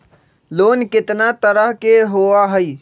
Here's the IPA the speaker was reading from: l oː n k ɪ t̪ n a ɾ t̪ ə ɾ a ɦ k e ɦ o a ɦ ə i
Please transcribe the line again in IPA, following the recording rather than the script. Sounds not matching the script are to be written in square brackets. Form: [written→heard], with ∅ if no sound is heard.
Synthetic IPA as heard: l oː n k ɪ t̪ n a [ɾ→∅] t̪ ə ɾ [a→ə] ɦ k e ɦ o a ɦ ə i